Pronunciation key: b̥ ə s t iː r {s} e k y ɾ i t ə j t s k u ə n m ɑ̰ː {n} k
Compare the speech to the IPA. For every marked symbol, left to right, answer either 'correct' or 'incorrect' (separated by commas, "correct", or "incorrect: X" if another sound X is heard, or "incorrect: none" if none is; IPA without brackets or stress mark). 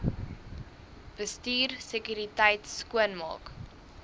correct, incorrect: none